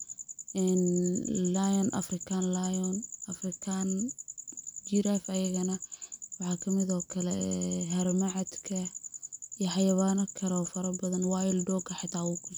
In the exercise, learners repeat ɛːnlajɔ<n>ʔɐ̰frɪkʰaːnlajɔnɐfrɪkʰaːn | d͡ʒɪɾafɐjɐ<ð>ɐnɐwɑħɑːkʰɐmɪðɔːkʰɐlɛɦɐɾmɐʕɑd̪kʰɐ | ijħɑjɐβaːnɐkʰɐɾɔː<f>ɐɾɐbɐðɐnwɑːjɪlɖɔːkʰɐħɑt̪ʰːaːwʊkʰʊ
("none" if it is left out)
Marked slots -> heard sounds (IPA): n, ɣ, f

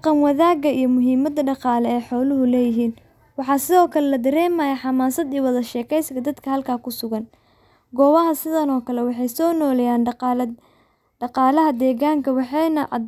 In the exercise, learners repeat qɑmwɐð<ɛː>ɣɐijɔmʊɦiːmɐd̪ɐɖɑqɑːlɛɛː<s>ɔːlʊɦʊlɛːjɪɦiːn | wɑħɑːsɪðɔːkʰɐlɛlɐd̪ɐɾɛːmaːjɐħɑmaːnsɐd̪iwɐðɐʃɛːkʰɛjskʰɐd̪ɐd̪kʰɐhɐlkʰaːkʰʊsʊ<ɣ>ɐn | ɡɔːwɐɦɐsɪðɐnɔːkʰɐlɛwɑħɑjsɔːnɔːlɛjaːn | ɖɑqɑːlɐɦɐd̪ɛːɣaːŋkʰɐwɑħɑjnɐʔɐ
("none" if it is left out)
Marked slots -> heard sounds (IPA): aː, ħ, ɣ

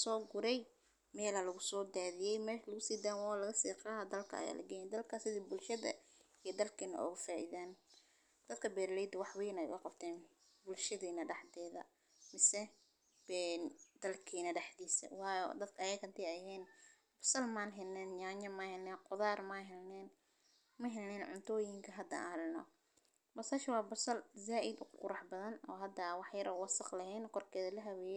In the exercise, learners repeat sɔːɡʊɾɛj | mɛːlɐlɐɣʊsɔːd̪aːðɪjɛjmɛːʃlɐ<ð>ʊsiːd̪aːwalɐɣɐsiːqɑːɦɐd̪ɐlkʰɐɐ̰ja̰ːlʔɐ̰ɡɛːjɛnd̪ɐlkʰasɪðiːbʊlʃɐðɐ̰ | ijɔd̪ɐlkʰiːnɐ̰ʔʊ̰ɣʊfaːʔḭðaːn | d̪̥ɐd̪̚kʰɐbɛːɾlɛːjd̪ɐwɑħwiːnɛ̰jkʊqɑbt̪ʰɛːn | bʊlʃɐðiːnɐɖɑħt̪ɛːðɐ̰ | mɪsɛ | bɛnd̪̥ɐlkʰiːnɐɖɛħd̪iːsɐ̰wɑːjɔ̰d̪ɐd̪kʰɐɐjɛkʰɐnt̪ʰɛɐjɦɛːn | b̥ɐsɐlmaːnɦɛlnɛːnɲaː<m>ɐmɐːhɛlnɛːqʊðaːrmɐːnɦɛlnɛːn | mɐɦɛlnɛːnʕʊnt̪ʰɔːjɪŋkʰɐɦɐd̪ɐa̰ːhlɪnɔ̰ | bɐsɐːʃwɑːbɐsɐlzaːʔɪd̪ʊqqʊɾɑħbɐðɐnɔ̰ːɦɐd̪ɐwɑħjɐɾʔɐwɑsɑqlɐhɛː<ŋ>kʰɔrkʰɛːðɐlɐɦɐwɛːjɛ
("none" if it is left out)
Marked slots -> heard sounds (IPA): ɣ, ɲ, n

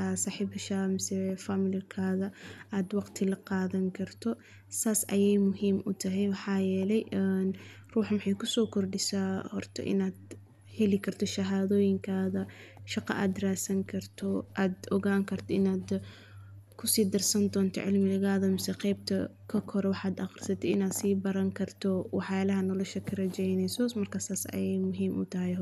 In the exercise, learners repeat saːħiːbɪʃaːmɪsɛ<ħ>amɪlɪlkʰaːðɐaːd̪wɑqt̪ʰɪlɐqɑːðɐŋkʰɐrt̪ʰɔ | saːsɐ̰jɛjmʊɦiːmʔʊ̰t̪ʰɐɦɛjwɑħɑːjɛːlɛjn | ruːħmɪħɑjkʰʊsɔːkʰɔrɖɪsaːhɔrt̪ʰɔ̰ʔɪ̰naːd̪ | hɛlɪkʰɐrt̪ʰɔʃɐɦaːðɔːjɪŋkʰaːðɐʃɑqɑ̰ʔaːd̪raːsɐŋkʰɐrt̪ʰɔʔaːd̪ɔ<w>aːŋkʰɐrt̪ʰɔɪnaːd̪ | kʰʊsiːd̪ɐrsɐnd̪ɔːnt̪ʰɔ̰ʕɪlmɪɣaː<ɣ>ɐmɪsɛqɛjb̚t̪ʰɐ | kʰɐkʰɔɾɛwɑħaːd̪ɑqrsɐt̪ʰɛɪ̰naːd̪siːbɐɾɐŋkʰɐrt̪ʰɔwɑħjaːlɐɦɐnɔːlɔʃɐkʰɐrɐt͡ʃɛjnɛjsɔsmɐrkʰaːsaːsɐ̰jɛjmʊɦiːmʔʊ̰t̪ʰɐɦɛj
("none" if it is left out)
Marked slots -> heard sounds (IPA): f, ɣ, ð

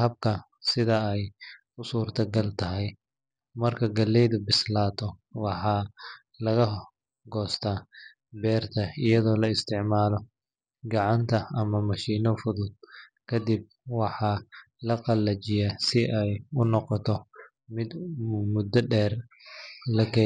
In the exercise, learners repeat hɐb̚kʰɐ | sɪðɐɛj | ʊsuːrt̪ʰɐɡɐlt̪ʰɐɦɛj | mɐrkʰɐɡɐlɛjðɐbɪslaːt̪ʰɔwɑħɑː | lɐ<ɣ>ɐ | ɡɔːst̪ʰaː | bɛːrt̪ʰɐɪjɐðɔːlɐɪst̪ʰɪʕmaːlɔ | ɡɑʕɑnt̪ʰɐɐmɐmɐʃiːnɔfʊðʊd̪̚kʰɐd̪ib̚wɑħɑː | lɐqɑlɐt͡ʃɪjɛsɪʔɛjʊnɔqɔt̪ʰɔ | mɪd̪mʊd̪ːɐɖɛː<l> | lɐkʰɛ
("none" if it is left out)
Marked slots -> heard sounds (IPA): ɣ, r

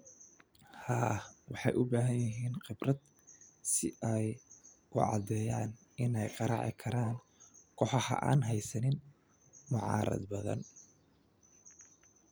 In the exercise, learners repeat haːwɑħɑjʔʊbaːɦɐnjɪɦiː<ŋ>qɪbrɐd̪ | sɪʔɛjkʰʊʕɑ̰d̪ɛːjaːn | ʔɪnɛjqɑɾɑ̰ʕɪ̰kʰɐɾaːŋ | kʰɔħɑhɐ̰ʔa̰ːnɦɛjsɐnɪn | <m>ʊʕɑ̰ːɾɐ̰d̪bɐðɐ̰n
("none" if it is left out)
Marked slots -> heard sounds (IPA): n, m

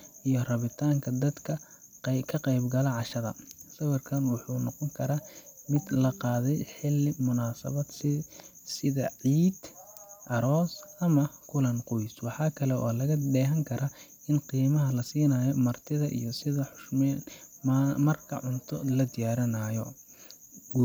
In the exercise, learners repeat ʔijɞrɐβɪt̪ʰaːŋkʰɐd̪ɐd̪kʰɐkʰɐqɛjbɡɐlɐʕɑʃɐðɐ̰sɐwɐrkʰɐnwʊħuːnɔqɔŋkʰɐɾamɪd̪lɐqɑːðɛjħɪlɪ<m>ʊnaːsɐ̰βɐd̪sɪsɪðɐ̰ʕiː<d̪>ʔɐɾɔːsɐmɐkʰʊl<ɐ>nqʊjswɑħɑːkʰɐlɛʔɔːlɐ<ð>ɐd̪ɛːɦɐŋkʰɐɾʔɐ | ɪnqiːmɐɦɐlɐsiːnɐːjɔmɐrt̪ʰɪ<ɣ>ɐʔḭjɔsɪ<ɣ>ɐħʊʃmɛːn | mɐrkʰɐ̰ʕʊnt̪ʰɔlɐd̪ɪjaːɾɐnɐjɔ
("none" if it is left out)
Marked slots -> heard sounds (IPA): m, d̪, ɐ, ɣ, ð, ð

